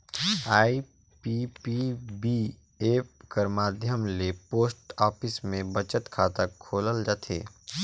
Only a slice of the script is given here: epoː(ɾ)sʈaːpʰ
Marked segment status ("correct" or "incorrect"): incorrect